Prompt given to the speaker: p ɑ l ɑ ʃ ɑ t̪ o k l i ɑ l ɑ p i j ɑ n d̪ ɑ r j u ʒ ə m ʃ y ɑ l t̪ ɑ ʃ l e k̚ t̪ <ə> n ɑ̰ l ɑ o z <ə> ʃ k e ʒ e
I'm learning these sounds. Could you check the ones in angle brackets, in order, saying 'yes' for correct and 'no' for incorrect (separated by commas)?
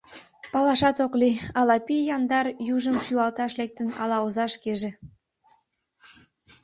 yes, no